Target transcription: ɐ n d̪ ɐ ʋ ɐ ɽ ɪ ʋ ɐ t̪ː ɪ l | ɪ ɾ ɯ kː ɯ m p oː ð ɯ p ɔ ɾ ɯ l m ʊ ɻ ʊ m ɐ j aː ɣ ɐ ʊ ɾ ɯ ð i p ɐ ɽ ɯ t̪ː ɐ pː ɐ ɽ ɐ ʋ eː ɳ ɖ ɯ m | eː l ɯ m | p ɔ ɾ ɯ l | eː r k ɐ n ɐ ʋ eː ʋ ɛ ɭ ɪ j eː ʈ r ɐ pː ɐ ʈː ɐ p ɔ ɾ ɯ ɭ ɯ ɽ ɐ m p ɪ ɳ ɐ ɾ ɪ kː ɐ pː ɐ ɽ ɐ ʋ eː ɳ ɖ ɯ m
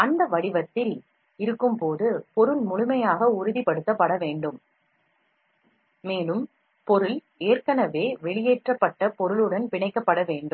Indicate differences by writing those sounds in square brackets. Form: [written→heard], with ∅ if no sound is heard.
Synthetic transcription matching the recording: ɐ n d̪ ɐ ʋ ɐ ɽ ɪ ʋ ɐ t̪ː ɪ l | ɪ ɾ ɯ kː ɯ m p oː ð ɯ p ɔ ɾ ɯ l m ʊ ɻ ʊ m ɐ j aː ɣ ɐ ʊ ɾ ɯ ð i p ɐ ɽ ɯ t̪ː ɐ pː ɐ ɽ ɐ ʋ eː ɳ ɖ ɯ m | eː l ɯ m | p ɔ ɾ ɯ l | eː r k ɐ n ɐ ʋ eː ʋ ɛ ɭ ɪ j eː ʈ r ɐ pː ɐ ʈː ɐ p ɔ ɾ ɯ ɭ ɯ ɽ ɐ [m→n] p ɪ ɳ ɐ [ɾ→∅] ɪ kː ɐ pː ɐ ɽ ɐ ʋ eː ɳ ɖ ɯ m